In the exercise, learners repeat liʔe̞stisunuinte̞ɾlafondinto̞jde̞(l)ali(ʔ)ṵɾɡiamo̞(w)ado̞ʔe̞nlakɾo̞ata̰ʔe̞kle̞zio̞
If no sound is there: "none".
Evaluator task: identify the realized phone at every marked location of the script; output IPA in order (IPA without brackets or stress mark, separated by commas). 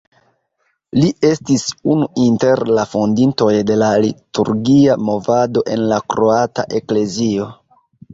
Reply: l, t, v